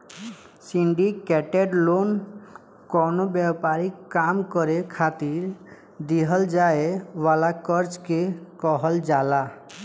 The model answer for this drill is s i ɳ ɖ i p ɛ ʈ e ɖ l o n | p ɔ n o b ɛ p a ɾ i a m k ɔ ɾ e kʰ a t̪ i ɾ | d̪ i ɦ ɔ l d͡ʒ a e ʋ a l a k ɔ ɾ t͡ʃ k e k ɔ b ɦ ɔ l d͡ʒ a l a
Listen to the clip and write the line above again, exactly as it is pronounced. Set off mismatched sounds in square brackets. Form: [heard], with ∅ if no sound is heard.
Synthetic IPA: s i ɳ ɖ i [k] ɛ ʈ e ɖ l o n | [k] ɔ n o b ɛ p a ɾ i a m k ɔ ɾ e kʰ a t̪ i ɾ | d̪ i ɦ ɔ l d͡ʒ a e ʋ a l a k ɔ ɾ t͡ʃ k e k ɔ [∅] ɦ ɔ l d͡ʒ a l a